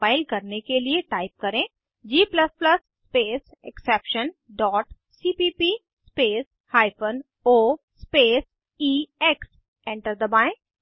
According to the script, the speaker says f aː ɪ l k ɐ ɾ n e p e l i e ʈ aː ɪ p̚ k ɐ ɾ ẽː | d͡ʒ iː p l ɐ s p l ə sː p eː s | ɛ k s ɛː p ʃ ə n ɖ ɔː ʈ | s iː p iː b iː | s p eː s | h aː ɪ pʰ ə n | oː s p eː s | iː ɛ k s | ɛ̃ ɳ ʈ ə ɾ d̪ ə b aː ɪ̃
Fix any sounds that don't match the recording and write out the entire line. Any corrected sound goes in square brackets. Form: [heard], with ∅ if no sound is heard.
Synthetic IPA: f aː ɪ l k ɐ ɾ n e [k] e l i e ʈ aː ɪ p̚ k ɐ ɾ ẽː | d͡ʒ iː p l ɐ s p l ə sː p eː s | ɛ k s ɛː p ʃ ə n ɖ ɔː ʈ | s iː p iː [p] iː | s p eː s | h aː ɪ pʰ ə n | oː s p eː s | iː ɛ k s | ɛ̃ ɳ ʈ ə ɾ d̪ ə b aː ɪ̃

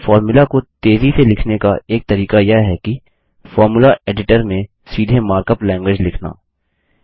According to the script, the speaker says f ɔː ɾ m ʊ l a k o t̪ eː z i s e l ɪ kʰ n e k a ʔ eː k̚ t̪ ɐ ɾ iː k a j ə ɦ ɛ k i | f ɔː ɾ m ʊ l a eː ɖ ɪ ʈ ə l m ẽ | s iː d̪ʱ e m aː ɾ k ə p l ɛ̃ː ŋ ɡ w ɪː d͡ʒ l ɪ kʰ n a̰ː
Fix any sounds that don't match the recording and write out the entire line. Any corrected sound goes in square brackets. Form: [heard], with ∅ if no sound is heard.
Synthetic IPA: f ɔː ɾ m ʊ l a k o t̪ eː z i s e l ɪ kʰ n e k a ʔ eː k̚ t̪ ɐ ɾ iː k a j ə ɦ ɛ k i | f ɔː ɾ m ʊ l a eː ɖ ɪ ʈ ə [ɾ] m ẽ | s iː d̪ʱ e m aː ɾ k ə p l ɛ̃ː ŋ ɡ w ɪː d͡ʒ l ɪ kʰ n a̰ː

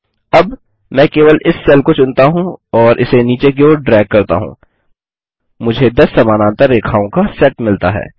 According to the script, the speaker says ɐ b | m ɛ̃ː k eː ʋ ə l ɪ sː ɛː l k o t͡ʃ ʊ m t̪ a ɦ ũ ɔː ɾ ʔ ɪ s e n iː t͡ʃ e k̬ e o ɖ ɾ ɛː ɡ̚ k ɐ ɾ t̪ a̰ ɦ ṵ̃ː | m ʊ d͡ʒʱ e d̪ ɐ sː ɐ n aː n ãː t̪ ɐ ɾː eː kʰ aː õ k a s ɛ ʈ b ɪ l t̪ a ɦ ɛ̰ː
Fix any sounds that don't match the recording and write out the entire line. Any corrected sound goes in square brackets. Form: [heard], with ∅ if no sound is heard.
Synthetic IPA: ɐ b | m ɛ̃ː k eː ʋ ə l ɪ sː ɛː l k o t͡ʃ ʊ [n] t̪ a ɦ ũ ɔː ɾ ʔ ɪ s e n iː t͡ʃ e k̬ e o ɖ ɾ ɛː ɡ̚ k ɐ ɾ t̪ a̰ ɦ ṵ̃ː | m ʊ d͡ʒʱ e d̪ ɐ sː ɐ [m] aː n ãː t̪ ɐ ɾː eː kʰ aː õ k a s ɛ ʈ [m] ɪ l t̪ a ɦ ɛ̰ː

